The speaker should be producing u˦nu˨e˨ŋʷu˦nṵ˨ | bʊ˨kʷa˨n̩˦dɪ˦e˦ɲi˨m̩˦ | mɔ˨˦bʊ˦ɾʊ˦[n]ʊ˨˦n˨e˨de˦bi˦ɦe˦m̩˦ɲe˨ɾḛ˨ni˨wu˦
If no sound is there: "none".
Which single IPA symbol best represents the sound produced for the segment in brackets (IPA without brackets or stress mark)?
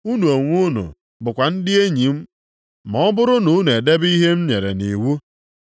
n